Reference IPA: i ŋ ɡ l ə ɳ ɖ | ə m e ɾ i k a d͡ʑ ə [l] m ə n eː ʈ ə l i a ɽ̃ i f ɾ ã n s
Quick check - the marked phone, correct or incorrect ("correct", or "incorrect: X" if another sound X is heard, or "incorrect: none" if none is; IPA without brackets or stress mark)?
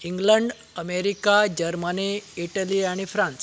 incorrect: ɾ